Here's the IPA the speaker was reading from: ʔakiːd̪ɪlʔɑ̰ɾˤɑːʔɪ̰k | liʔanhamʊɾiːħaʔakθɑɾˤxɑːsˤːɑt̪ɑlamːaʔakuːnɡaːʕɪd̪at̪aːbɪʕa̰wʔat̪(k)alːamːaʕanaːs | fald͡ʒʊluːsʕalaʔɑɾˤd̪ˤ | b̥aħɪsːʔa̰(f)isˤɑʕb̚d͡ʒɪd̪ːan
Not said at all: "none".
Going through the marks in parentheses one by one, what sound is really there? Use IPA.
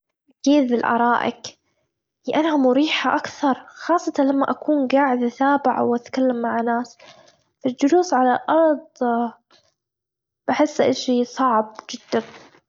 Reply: k, ʃ

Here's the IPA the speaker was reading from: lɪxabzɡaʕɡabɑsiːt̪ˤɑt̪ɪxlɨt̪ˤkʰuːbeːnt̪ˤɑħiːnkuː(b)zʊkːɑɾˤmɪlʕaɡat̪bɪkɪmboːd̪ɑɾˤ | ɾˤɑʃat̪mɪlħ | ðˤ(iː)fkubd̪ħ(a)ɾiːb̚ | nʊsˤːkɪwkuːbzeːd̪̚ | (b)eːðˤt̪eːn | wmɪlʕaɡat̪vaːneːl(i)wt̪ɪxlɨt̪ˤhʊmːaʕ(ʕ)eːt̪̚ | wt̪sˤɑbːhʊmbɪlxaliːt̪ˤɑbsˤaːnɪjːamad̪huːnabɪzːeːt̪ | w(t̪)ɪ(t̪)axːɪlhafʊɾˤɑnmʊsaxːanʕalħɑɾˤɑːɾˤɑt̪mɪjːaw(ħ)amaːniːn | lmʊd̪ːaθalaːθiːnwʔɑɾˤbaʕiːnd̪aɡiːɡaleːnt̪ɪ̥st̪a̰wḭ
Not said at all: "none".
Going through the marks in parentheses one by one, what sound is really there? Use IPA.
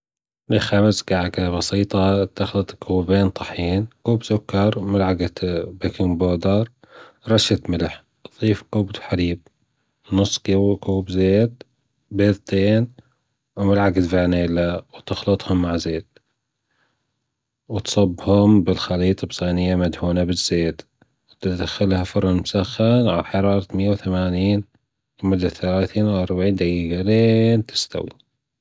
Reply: b, iː, a, b, a, z, t̪, d̪, θ

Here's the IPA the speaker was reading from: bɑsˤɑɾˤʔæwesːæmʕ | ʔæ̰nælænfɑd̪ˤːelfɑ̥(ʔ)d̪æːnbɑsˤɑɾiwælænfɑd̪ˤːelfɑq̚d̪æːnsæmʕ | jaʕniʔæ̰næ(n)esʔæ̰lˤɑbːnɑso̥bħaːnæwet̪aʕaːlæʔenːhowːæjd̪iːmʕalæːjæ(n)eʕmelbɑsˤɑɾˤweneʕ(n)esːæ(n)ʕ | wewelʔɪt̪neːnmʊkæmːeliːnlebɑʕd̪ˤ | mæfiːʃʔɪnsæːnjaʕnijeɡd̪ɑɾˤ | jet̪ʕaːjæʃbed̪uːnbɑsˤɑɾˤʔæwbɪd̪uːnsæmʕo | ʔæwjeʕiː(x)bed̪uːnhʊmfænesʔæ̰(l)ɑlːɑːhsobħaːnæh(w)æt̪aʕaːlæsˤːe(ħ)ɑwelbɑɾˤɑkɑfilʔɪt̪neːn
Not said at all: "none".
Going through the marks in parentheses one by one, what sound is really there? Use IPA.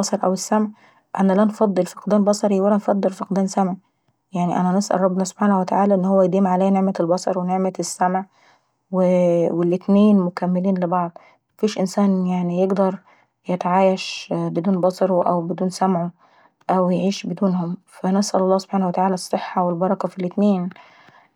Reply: q, n, n, m, m, ʃ, l, w, ħː

